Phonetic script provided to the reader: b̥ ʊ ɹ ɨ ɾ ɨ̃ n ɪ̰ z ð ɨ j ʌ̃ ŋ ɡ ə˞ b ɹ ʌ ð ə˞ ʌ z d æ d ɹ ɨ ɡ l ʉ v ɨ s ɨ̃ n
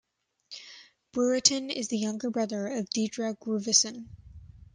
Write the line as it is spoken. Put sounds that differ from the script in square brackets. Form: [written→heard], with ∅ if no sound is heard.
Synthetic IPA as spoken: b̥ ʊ ɹ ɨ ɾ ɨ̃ n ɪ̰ z ð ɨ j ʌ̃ ŋ ɡ ə˞ b ɹ ʌ ð ə˞ ʌ [z→v] d [æ→i] d ɹ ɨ ɡ [l→ɹ] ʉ v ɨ s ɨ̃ n

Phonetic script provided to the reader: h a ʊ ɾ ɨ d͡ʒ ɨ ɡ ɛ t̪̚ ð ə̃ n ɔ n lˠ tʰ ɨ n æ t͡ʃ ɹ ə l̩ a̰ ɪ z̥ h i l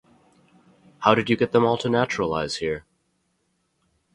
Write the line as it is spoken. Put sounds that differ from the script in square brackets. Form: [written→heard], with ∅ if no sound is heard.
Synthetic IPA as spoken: h a ʊ ɾ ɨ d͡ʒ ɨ ɡ ɛ t̪̚ ð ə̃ [n→m] ɔ [n→∅] lˠ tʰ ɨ n æ t͡ʃ ɹ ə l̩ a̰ ɪ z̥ h i [l→ɹ]

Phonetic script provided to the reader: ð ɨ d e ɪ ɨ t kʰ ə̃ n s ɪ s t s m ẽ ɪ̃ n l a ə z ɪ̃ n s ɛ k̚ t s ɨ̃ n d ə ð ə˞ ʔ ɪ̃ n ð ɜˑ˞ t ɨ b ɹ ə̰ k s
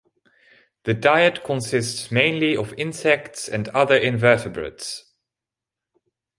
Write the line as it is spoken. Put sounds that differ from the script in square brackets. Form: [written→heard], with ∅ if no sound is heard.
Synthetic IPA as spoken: ð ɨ d [e→a] ɪ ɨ t kʰ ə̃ n s ɪ s t s m ẽ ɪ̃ n l [a→i] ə [z→v] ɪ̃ n s ɛ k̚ t s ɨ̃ n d [ə→ʌ] ð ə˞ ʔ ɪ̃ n [ð→v] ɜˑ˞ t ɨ b ɹ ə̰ [k→t] s

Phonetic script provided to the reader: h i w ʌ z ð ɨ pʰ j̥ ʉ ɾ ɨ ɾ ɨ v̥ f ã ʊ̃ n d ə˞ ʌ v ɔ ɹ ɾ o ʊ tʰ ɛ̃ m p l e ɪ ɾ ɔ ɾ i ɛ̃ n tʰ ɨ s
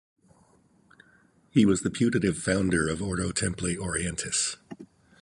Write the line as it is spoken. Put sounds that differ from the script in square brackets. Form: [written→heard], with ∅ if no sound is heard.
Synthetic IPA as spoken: h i w ʌ z ð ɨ pʰ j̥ ʉ ɾ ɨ ɾ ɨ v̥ f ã ʊ̃ n d ə˞ ʌ v ɔ ɹ ɾ o ʊ tʰ ɛ̃ m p l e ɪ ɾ ɔ [ɾ→ɹ] i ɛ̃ n tʰ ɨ s

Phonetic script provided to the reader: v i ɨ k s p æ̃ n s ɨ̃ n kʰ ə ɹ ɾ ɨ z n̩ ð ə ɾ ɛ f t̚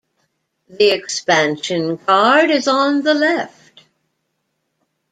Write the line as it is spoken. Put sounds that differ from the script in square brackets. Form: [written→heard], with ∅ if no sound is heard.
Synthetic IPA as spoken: [v→ð] i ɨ k s p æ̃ n [s→ʃ] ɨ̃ n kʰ [ə→ɑ] ɹ ɾ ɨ z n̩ ð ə [ɾ→l] ɛ f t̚

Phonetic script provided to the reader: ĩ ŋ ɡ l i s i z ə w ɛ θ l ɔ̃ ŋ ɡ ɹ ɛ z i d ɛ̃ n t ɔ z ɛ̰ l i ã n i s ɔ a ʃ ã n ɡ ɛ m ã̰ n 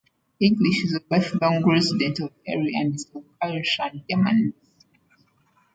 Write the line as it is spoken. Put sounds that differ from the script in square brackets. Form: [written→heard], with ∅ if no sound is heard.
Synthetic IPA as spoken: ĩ ŋ ɡ l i [s→ʃ] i z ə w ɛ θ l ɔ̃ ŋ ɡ ɹ ɛ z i d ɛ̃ n t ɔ [z→v] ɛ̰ [l→ɹ] i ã n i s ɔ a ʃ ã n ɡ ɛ m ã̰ n

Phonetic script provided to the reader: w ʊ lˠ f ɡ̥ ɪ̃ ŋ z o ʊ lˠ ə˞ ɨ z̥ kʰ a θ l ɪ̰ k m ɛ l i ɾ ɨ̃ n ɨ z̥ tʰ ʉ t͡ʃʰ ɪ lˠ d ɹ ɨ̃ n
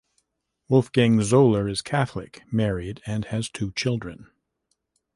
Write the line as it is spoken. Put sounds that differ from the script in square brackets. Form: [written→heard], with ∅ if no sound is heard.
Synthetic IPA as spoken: w ʊ lˠ f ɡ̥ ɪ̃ ŋ z o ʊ lˠ ə˞ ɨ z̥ kʰ [a→æ] θ l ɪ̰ k m ɛ [l→ɹ] i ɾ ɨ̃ n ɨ z̥ tʰ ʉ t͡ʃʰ ɪ lˠ d ɹ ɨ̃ n

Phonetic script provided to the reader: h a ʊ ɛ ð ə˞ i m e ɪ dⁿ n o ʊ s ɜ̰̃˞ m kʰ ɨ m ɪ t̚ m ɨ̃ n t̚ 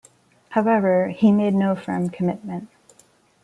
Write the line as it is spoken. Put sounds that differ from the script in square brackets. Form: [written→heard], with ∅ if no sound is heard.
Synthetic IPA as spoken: h a ʊ ɛ [ð→v] ə˞ i m e ɪ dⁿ n o ʊ [s→f] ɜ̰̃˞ m kʰ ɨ m ɪ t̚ m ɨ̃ n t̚

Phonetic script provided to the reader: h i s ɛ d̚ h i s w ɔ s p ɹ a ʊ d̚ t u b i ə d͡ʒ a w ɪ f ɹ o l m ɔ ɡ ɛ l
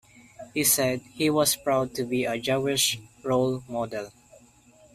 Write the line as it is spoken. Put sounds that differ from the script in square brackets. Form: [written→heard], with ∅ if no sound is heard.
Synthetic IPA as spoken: h i s ɛ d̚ h i [s→∅] w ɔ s p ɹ a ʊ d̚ t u b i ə d͡ʒ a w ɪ [f→ʃ] ɹ o l m ɔ [ɡ→d] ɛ l

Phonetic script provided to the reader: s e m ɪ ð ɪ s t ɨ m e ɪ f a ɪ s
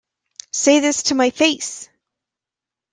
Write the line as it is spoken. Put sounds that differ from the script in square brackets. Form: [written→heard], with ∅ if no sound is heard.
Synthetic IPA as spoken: s e [m→∅] ɪ ð ɪ s [t→tʰ] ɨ m [e→a] ɪ f [a→e] ɪ s

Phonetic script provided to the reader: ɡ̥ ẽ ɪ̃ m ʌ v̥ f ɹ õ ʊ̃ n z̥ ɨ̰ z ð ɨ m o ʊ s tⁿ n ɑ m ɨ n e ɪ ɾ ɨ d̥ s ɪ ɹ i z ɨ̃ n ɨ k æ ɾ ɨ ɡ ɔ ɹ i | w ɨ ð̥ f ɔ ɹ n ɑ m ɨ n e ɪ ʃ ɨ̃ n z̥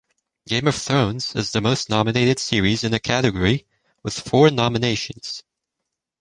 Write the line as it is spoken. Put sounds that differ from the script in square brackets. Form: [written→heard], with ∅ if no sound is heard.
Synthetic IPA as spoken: ɡ̥ ẽ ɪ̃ m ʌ v̥ [f→θ] ɹ õ ʊ̃ n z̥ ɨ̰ z ð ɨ m o ʊ s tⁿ n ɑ m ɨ n e ɪ ɾ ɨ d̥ s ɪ ɹ i z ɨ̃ n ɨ [k→kʰ] æ ɾ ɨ ɡ ɔ ɹ i | w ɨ ð̥ f ɔ ɹ n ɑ m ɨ n e ɪ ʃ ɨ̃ n z̥

